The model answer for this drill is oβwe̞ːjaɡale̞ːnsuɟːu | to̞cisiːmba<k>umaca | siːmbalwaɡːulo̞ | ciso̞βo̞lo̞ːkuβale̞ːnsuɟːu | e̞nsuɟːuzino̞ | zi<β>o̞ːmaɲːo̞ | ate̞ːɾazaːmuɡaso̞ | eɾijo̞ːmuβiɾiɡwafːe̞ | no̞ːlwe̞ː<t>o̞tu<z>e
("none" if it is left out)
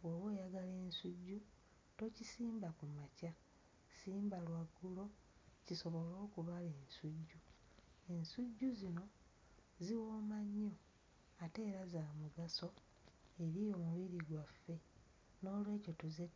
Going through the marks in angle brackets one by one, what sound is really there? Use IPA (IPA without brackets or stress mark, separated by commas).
k, w, c, z